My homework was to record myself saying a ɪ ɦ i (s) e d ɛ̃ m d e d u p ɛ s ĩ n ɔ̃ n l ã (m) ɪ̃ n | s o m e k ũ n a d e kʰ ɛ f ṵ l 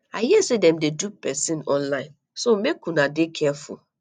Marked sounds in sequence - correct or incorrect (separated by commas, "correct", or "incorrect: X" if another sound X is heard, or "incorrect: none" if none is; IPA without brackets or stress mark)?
correct, incorrect: none